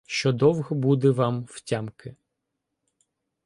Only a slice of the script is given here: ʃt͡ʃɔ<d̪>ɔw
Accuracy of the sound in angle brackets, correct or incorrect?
correct